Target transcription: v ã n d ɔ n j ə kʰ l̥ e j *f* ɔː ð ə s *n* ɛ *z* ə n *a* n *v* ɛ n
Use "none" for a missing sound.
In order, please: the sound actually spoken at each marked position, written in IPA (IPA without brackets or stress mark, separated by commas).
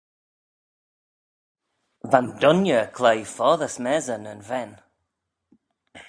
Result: f, m, z, ə, v